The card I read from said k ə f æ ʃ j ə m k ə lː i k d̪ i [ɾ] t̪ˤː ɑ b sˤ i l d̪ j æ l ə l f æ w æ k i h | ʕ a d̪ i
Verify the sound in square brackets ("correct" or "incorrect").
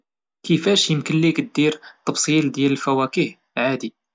correct